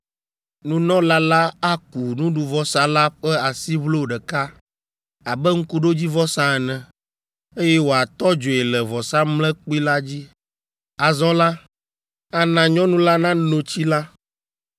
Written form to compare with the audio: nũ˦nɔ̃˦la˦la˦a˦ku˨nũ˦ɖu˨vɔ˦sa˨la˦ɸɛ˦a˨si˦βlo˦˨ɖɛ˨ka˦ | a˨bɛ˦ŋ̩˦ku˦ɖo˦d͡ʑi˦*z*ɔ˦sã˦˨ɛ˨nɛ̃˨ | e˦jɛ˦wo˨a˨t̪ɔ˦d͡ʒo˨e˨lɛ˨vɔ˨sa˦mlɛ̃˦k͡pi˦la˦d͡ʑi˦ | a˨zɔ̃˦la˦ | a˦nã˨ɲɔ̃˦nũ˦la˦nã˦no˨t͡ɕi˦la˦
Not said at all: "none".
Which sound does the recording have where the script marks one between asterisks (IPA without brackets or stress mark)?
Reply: v